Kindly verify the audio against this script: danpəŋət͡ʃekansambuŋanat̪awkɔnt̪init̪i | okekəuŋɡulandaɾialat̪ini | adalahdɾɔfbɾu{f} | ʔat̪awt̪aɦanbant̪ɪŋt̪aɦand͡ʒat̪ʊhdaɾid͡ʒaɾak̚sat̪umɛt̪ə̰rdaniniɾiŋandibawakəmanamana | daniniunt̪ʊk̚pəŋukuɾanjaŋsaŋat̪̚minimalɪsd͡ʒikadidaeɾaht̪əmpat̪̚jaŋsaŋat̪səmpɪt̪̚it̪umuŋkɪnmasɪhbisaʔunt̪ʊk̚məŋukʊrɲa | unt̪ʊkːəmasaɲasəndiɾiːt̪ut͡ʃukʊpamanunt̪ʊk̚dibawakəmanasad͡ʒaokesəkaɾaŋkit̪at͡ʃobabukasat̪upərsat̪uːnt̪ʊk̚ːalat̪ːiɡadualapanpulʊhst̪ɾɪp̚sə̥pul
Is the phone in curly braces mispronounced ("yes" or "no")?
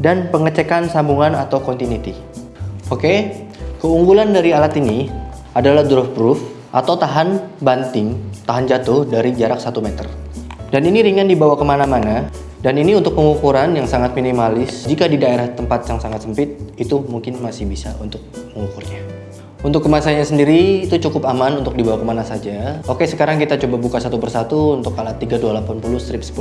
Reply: no